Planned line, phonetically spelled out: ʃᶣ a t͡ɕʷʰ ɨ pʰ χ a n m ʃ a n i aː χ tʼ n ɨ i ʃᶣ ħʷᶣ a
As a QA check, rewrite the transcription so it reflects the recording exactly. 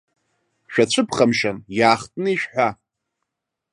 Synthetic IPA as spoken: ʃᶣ a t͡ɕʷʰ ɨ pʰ χ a m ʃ a n j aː χ tʼ n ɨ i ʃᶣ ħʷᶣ a